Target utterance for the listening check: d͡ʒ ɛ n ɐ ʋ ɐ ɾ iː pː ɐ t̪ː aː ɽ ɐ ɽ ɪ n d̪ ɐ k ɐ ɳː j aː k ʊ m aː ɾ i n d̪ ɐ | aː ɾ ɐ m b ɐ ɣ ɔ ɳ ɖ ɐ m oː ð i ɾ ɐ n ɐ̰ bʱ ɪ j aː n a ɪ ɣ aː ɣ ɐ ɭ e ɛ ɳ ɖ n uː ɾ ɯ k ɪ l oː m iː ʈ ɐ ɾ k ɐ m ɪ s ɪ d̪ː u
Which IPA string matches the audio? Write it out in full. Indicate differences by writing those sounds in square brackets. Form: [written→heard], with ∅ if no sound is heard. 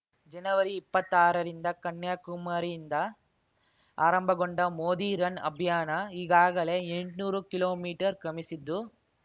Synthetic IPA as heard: d͡ʒ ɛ n ɐ ʋ ɐ ɾ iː pː ɐ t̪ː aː [ɽ→ɾ] ɐ [ɽ→ɾ] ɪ n d̪ ɐ k ɐ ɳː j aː k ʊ m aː ɾ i n d̪ ɐ | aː ɾ ɐ m b ɐ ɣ ɔ ɳ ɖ ɐ m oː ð i ɾ ɐ n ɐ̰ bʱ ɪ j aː n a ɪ ɣ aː ɣ ɐ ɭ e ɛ ɳ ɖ n uː ɾ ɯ k ɪ l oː m iː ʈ ɐ ɾ k ɐ m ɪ s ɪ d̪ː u